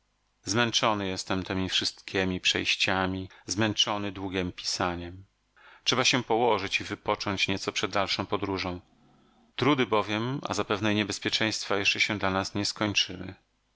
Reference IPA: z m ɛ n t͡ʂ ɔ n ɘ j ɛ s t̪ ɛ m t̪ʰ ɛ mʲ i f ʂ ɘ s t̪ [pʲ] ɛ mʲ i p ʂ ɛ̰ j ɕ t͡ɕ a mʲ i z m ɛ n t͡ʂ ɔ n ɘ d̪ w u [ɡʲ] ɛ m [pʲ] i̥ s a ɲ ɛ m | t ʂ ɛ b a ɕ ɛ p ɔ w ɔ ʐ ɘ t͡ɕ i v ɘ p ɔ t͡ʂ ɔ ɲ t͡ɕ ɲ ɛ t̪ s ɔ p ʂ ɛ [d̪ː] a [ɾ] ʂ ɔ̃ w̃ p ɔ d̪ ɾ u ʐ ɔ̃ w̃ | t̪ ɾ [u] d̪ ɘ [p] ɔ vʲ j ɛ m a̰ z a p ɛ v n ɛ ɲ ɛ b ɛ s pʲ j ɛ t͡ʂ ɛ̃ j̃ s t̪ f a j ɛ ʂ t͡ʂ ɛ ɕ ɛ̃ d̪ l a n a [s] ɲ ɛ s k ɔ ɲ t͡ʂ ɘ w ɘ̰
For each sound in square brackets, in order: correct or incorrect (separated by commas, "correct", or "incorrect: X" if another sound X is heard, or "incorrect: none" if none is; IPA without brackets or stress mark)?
incorrect: kʲ, correct, correct, correct, incorrect: l, correct, incorrect: b, correct